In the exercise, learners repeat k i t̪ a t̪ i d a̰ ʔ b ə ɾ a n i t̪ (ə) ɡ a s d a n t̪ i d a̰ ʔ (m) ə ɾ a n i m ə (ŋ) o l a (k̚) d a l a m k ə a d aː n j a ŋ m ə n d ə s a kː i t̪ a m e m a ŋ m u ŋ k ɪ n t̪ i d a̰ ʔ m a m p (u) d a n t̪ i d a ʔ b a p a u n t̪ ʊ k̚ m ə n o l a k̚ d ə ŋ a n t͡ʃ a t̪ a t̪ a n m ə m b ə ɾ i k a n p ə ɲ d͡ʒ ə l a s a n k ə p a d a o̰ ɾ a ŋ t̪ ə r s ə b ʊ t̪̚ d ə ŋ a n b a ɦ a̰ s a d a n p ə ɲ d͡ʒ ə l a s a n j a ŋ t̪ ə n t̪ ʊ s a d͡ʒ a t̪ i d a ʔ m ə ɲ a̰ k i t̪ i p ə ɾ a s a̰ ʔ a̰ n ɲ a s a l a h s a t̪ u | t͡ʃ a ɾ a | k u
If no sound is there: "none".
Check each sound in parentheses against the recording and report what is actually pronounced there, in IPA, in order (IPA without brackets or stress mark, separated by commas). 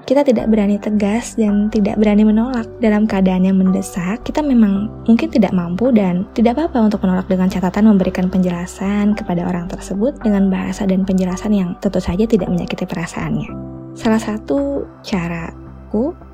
ə, b, n, k̚, u